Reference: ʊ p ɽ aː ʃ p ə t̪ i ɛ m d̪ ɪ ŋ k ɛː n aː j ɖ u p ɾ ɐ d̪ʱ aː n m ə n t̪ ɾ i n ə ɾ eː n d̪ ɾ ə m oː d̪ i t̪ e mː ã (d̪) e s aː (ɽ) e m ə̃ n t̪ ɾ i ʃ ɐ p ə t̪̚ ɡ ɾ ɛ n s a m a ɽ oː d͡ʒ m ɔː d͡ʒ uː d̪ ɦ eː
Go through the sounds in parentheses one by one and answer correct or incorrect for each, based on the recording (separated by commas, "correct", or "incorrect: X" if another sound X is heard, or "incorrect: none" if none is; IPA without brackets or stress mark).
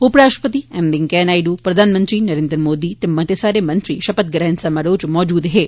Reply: incorrect: t̪, incorrect: ɾ